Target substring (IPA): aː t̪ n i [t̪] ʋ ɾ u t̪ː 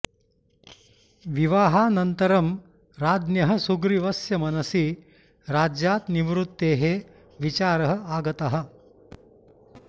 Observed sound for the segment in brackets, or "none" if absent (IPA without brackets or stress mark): none